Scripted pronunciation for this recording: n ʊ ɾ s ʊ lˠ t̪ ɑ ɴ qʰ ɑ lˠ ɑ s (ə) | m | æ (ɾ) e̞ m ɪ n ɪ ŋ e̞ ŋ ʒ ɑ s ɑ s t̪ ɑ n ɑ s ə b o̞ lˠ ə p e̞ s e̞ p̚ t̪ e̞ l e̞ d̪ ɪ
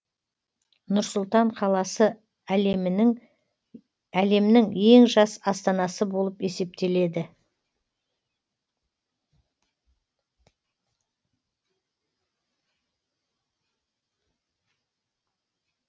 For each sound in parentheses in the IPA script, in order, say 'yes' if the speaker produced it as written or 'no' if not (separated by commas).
yes, no